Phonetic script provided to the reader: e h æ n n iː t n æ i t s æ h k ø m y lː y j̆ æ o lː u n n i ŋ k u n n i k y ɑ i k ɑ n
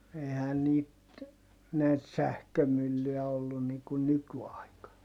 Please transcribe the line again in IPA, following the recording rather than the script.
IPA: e h æ n n iː t n æ i t s æ h k ø m y lː y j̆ æ o lː u n n i ŋ k u n n y k y ɑ i k ɑ n